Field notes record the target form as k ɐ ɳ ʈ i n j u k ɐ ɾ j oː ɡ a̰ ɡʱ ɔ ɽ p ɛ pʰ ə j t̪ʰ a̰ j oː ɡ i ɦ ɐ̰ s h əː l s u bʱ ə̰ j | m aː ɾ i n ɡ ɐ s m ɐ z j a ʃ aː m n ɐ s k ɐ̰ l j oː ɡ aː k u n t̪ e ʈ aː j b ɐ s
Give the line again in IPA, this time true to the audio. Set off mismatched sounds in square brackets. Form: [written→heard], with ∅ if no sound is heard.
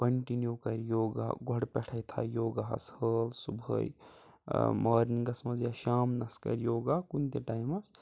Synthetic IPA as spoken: k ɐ ɳ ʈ i n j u k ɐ ɾ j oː ɡ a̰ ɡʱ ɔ ɽ p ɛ [pʰ→ʈʰ] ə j t̪ʰ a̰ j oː ɡ [i→a] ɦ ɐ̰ s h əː l s u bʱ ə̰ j | m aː ɾ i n ɡ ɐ s m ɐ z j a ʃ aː m n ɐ s k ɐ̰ [l→ɾ] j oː ɡ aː k u n t̪ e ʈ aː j [b→m] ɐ s